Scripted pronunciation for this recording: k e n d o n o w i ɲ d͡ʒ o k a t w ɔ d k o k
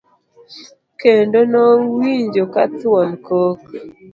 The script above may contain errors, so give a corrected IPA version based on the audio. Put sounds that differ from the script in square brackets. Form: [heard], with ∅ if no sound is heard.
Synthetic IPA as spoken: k e n d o n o w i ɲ d͡ʒ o k a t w ɔ [n] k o k